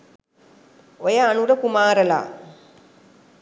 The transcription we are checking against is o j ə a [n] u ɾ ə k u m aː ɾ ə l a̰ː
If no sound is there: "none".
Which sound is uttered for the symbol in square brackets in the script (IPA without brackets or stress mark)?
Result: n